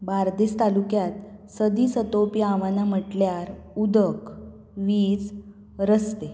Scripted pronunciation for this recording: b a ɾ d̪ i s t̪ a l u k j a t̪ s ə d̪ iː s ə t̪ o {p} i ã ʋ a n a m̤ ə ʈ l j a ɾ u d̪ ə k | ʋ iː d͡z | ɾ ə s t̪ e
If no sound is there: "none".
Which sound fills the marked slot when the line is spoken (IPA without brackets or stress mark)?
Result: p